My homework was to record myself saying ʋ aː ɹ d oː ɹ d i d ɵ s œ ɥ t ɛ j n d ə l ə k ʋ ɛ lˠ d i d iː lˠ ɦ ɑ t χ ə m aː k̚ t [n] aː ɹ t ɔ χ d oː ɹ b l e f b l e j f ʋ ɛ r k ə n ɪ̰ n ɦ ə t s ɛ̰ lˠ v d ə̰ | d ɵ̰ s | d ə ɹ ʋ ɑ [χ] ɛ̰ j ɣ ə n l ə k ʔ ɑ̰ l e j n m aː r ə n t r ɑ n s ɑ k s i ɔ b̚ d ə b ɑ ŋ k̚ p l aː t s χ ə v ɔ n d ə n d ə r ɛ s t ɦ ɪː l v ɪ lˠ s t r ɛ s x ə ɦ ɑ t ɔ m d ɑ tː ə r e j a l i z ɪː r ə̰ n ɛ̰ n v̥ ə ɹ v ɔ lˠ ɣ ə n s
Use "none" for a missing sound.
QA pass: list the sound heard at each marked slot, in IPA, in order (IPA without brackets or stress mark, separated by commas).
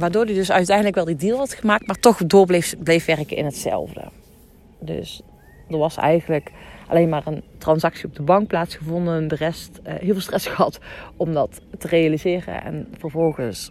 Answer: m, s